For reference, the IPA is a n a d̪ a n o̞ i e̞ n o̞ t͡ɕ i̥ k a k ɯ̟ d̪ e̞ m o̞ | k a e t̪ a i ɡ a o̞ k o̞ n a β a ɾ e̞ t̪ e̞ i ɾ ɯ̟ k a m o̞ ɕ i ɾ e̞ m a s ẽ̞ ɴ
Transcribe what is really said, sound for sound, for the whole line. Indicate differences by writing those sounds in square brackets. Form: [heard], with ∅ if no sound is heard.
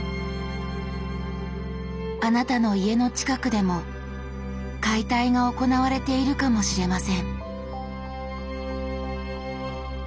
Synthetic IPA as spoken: a n a [t̪] a n o̞ i e̞ n o̞ t͡ɕ i̥ k a k ɯ̟ d̪ e̞ m o̞ | k a [i] t̪ a i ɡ a o̞ k o̞ n a β a ɾ e̞ t̪ e̞ i ɾ ɯ̟ k a m o̞ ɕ i ɾ e̞ m a s ẽ̞ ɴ